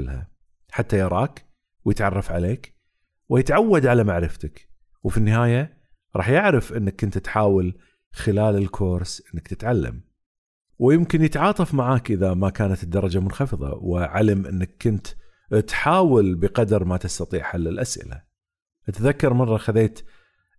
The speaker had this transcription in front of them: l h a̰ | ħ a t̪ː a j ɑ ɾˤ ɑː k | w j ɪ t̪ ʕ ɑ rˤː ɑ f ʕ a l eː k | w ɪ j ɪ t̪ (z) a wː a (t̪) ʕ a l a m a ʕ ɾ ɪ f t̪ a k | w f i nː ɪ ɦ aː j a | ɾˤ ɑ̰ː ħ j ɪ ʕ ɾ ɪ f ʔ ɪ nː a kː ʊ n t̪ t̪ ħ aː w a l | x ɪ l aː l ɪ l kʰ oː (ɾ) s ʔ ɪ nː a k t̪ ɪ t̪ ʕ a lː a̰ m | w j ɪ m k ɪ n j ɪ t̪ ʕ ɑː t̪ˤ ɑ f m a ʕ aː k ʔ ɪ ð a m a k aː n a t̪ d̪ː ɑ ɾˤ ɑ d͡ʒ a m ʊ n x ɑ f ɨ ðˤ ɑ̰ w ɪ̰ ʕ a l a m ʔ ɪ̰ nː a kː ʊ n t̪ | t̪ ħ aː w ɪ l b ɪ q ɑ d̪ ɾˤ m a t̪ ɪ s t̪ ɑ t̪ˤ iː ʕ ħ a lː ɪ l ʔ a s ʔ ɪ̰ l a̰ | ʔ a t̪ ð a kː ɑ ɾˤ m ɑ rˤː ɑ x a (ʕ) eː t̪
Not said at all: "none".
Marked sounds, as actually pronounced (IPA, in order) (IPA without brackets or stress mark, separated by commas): ʕ, d̪, ɾ, ð